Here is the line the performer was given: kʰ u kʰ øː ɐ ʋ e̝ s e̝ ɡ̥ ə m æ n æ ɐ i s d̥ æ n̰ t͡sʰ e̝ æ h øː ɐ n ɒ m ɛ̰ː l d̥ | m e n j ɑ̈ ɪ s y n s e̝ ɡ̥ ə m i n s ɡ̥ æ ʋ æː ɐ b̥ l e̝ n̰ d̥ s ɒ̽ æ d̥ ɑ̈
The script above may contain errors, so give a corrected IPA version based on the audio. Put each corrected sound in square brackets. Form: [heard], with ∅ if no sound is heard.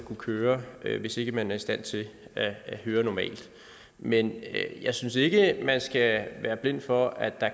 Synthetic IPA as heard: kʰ u kʰ øː ɐ ʋ e̝ s e̝ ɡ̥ ə m æ n æ ɐ i s d̥ æ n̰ t͡sʰ e̝ æ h øː ɐ n ɒ m ɛ̰ː l d̥ | m e n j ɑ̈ ɪ s y n s e̝ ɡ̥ ə m [æ] n s ɡ̥ æ ʋ æː ɐ b̥ l e̝ n̰ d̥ [f] ɒ̽ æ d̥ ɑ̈